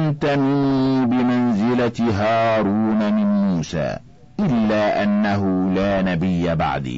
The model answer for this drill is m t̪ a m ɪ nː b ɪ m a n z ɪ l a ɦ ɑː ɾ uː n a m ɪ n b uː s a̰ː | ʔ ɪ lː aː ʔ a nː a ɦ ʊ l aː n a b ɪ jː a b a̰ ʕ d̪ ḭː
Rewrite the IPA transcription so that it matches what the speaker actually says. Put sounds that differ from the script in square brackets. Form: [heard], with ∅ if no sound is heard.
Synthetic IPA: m t̪ a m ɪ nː b ɪ m a n z ɪ l a ɦ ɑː ɾ uː n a m ɪ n [m] uː s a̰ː | ʔ ɪ lː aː ʔ a nː a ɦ ʊ l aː n a b ɪ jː a b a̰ ʕ d̪ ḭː